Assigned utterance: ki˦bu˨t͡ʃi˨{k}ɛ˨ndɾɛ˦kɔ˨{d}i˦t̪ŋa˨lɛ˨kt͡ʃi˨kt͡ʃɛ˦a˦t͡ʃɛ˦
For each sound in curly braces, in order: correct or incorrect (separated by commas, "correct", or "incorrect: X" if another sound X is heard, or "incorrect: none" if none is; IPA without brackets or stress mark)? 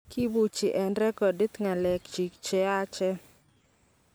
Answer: incorrect: ʔ, correct